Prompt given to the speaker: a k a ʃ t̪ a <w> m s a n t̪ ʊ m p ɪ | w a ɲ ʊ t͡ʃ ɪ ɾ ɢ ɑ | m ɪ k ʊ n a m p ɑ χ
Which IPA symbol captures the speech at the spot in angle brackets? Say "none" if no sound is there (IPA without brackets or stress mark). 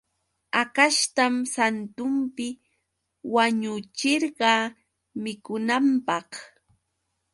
none